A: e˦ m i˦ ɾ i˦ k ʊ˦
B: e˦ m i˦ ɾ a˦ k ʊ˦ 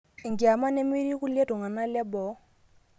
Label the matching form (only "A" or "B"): A